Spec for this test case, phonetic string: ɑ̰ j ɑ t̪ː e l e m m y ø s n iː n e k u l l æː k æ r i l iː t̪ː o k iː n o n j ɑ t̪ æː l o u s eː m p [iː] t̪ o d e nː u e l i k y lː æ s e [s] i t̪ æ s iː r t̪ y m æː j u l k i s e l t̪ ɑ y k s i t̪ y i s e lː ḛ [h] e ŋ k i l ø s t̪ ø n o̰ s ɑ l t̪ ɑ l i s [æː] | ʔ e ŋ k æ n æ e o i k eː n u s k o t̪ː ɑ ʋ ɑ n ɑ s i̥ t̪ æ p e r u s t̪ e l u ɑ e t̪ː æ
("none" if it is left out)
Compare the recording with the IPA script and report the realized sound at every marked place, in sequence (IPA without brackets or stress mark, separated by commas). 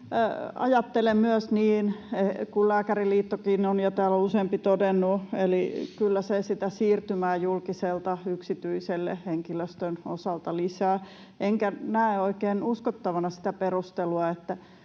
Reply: i, s, h, æː